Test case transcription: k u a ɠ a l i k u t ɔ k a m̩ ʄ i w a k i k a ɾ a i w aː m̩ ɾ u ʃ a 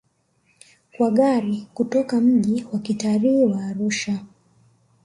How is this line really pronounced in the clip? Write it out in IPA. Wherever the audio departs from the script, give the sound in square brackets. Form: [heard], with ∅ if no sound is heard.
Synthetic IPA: k [w] a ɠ a [ɾ] i k u t ɔ k a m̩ ʄ i w a k i [t] a ɾ [i] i w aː [∅] ɾ u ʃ a